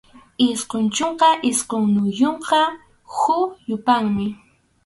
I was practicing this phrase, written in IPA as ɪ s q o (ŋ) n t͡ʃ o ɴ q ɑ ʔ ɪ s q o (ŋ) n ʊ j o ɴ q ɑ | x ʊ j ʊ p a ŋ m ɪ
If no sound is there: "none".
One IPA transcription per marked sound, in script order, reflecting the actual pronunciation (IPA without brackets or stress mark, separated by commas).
none, ŋ